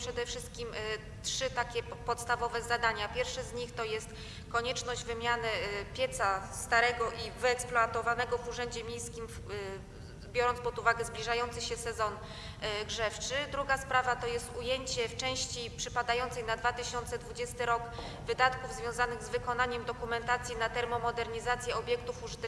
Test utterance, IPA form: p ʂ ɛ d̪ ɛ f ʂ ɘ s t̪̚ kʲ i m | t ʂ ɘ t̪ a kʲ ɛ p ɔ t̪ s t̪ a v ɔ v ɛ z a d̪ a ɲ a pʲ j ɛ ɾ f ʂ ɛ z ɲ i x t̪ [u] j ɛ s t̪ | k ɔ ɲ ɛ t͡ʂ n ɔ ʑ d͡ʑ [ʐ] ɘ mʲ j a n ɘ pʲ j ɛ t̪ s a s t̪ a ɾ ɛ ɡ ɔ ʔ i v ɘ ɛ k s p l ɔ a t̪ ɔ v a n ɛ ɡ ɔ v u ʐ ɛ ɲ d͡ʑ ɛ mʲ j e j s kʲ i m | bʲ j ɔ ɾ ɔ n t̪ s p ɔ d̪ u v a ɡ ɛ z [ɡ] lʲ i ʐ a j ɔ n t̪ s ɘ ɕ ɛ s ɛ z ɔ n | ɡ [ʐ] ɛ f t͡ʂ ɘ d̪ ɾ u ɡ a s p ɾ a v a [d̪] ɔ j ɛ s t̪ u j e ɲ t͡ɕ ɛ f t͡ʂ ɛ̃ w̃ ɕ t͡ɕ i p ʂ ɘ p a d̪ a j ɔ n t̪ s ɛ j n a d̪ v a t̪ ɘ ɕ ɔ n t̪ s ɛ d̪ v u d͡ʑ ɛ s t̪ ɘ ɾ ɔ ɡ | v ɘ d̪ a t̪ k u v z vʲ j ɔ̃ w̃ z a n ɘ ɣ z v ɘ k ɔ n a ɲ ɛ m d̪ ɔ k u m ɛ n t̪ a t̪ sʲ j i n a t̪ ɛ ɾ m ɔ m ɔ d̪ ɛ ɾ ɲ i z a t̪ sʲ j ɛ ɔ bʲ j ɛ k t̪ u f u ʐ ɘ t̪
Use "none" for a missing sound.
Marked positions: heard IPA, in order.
ɔ, v, b, ʐ, t̪

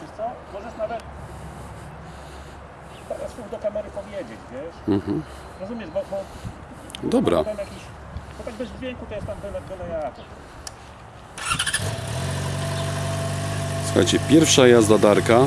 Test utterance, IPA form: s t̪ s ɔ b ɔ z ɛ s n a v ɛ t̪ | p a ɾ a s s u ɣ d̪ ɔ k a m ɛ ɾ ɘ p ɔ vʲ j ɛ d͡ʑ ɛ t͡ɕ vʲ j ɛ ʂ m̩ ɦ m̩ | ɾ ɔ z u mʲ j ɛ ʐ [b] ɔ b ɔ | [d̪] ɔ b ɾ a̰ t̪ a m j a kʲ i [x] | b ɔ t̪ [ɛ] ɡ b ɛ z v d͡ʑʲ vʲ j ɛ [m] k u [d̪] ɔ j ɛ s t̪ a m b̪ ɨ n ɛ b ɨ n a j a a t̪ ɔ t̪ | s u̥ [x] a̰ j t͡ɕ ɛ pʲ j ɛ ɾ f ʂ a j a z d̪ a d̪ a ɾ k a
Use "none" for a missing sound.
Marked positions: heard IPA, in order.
b, d̪, ɕ, a, ŋ, t̪, x

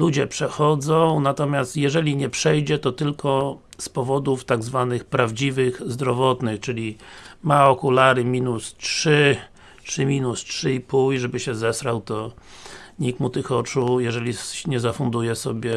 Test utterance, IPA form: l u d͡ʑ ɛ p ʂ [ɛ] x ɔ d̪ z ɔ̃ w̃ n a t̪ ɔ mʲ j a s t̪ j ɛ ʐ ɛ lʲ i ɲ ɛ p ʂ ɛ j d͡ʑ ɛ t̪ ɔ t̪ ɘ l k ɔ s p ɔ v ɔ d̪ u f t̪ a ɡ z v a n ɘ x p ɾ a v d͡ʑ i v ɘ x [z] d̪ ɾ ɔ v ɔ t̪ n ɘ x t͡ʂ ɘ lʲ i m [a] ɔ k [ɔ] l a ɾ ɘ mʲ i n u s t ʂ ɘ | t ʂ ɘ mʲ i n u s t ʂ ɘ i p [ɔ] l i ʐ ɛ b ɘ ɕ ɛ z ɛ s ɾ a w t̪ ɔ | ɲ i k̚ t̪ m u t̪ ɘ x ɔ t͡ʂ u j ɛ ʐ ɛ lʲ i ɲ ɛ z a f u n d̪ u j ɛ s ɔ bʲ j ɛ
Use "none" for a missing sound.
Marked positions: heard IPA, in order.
ɛ, z, a, u, u

